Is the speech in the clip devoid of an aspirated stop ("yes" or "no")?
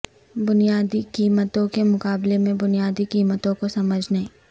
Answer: yes